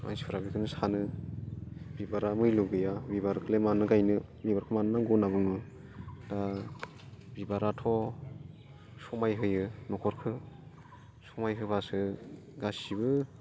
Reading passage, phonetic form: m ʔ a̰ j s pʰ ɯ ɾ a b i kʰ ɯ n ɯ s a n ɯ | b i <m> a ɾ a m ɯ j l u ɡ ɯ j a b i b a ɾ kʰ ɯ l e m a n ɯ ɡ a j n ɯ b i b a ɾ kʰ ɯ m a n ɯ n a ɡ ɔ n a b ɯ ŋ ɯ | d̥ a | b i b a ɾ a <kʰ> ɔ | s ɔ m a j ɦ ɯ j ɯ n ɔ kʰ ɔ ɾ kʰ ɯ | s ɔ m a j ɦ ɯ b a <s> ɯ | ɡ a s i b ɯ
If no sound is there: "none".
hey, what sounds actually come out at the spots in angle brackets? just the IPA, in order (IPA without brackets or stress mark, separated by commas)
b, tʰ, s